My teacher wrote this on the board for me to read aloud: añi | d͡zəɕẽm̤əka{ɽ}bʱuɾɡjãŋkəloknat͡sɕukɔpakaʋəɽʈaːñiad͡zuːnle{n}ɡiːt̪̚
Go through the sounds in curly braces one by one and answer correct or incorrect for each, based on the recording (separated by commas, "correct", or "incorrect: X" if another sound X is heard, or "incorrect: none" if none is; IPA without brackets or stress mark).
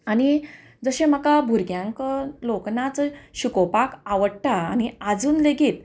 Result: incorrect: none, incorrect: none